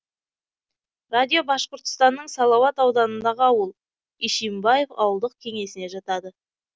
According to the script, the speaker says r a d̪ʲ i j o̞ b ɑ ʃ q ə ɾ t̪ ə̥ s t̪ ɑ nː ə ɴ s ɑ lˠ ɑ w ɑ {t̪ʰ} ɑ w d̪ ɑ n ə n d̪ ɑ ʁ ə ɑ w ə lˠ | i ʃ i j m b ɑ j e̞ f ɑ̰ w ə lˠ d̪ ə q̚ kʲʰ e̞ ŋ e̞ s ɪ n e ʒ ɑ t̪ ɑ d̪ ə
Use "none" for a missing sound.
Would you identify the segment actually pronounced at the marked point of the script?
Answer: t̪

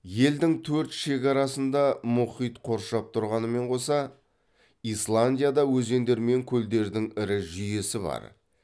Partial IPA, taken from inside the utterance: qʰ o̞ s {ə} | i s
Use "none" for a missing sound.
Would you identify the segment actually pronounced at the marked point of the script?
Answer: ɑ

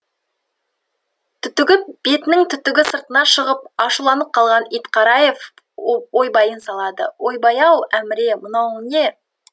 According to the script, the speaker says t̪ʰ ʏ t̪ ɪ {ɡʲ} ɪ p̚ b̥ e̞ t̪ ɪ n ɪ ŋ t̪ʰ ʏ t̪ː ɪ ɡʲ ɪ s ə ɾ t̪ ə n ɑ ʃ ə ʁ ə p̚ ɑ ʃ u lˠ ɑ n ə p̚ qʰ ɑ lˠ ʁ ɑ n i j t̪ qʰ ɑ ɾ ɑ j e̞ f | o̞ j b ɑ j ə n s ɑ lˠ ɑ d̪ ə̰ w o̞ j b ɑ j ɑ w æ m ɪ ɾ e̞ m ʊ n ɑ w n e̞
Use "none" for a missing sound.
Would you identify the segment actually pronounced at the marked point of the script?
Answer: ɡʲ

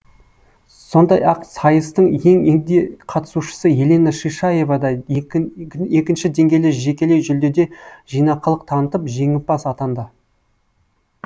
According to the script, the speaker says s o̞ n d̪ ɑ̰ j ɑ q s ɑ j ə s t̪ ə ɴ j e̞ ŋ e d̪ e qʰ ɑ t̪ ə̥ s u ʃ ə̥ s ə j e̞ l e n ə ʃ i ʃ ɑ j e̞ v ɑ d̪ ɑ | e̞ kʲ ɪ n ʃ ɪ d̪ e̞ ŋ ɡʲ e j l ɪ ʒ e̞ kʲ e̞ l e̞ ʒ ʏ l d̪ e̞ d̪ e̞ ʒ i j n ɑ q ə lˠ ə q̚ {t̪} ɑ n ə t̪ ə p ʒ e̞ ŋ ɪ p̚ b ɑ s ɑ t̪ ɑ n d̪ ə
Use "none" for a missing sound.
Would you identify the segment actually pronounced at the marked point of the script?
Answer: t̪ʰ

